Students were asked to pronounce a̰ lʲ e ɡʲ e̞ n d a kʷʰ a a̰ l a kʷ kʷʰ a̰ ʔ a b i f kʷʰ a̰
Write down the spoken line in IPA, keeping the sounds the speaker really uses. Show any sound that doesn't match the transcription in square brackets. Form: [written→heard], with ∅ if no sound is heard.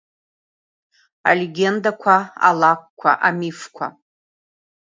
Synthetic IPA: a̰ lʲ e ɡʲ e̞ n d a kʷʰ a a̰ l a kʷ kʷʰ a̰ ʔ a [b→m] i f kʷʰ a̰